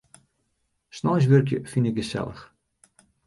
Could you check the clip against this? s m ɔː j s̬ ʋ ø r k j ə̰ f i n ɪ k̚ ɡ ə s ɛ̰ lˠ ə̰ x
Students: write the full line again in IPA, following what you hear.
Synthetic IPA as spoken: s n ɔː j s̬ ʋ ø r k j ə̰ f i n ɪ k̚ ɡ ə s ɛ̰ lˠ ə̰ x